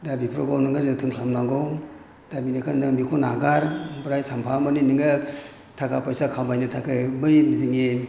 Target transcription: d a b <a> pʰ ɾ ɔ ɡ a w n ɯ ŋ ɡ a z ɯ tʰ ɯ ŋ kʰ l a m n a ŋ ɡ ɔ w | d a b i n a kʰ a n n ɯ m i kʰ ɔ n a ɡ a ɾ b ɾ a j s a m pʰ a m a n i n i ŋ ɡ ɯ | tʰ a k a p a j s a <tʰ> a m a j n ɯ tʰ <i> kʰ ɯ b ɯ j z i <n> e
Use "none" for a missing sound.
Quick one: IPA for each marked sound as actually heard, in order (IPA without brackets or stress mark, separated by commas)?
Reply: i, kʰ, a, ŋ